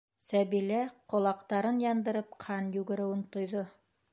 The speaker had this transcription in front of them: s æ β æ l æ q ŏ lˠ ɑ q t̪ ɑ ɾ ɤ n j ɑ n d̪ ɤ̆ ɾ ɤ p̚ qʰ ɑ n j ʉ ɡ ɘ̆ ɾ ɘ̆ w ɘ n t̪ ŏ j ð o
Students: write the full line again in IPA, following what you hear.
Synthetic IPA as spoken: s æ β i l æ q ŏ lˠ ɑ q t̪ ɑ ɾ ɤ n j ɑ n d̪ ɤ̆ ɾ ɤ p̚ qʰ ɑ n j ʉ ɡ ɘ̆ ɾ ɘ̆ w ɘ n t̪ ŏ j ð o